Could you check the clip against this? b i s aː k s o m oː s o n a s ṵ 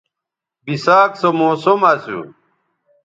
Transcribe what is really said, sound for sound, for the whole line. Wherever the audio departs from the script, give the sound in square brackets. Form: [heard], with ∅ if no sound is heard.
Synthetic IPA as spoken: b i s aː k s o m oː s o [m] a s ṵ